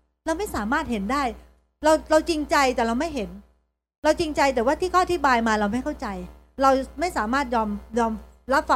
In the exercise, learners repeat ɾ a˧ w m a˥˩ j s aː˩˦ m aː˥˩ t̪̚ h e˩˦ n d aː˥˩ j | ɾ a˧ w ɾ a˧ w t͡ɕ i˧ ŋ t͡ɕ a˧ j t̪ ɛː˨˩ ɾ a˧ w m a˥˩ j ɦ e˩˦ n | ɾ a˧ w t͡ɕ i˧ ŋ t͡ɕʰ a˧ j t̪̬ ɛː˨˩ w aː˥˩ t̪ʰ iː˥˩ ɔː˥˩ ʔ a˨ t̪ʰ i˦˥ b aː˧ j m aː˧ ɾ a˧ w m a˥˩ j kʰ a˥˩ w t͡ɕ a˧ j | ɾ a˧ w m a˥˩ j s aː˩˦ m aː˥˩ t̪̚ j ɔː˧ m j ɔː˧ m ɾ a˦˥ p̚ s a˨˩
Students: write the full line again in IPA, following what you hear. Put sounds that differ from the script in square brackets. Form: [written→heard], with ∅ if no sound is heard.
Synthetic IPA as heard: ɾ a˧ w m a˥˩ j s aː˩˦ m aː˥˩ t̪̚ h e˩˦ n d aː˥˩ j | ɾ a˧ w ɾ a˧ w t͡ɕ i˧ ŋ t͡ɕ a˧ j t̪ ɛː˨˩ ɾ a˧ w m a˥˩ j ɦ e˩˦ n | ɾ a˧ w t͡ɕ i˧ ŋ [t͡ɕʰ→t͡ɕ] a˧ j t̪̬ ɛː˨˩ w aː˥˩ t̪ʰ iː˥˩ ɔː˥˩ ʔ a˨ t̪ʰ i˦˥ b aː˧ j m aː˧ ɾ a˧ w m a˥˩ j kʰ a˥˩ w t͡ɕ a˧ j | ɾ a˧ w m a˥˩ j s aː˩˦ m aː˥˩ t̪̚ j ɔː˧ m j ɔː˧ m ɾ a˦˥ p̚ [s→f] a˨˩